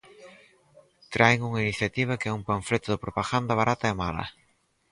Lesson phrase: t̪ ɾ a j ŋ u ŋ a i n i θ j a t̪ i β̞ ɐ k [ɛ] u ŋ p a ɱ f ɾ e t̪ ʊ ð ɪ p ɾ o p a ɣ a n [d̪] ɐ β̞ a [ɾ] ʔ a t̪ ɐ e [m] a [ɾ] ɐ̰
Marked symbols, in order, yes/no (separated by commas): yes, yes, yes, yes, no